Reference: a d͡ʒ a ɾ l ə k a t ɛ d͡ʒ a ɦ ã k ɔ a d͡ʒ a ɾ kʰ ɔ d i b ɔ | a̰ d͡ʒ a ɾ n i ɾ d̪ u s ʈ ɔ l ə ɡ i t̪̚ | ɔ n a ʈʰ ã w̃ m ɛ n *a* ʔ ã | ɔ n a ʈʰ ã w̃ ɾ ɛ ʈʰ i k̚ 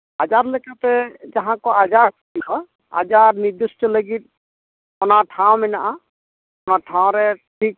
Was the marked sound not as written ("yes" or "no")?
no